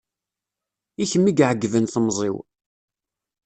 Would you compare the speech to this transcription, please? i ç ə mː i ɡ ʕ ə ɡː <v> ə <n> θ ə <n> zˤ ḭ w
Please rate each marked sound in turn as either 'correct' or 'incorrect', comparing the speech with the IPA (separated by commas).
correct, correct, incorrect